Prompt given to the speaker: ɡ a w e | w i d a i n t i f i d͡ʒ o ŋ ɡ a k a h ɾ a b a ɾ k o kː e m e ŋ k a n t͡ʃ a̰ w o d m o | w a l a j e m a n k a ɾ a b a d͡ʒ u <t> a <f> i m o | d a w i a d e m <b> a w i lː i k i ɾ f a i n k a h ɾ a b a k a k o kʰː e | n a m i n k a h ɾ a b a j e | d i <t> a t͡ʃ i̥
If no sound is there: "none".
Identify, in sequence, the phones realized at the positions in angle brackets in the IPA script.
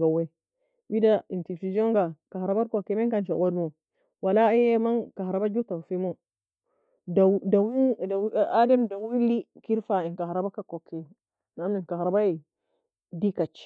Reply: t, f, d, k

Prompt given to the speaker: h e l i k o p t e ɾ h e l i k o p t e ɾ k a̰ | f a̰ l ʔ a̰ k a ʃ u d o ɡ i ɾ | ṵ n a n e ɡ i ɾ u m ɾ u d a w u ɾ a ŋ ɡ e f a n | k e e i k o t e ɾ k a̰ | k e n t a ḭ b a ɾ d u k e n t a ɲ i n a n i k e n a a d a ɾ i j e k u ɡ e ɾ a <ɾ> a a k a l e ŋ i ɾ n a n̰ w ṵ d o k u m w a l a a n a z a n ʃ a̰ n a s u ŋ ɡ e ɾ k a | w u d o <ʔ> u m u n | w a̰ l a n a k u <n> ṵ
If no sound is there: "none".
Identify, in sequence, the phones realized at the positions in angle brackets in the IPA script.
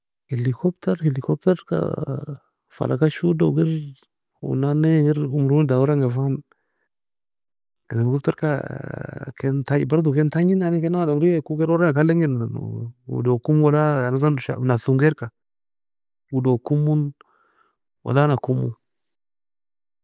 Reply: ɾ, k, m

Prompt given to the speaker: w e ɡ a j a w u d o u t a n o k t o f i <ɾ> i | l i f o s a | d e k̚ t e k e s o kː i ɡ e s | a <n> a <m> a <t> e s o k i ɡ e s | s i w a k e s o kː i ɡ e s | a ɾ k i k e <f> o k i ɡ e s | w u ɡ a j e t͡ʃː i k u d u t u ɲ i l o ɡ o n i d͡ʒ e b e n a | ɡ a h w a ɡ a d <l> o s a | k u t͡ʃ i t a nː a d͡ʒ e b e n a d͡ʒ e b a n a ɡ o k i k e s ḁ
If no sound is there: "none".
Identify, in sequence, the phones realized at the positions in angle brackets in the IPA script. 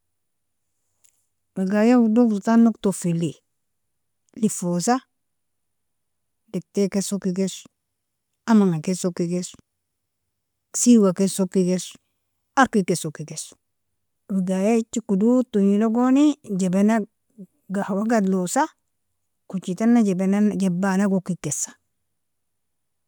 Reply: l, m, ŋ, k, s, l

